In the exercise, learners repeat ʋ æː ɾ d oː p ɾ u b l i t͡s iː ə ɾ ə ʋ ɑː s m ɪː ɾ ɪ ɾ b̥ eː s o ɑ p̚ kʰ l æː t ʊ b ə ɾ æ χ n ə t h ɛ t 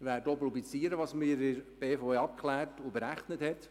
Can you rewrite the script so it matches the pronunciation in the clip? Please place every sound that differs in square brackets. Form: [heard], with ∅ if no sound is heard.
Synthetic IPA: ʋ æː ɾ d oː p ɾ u b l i t͡s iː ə ɾ ə ʋ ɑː s m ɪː ɾ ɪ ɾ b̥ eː [f] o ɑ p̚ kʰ l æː t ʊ b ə ɾ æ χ n ə t h ɛ t